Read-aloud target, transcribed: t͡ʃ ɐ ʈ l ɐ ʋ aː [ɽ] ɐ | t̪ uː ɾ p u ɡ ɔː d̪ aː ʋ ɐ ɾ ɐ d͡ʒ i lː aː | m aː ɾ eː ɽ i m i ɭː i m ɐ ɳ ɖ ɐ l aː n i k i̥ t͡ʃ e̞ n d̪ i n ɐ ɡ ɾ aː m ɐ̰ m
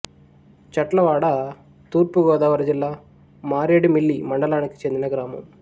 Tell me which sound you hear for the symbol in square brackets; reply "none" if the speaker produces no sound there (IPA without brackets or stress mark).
ɽ